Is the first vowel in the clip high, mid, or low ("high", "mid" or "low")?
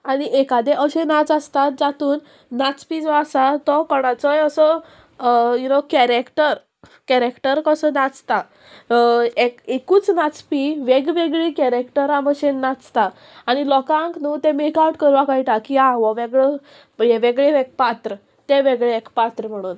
low